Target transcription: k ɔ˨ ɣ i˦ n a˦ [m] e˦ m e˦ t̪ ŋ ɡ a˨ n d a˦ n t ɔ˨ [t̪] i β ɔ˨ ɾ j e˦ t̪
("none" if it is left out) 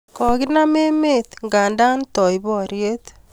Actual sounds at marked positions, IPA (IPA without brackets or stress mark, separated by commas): m, none